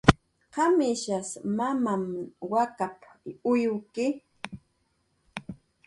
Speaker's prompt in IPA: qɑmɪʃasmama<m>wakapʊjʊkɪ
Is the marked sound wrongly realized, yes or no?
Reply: no